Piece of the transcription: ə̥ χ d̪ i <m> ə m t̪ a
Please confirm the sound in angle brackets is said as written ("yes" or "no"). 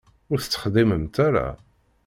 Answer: yes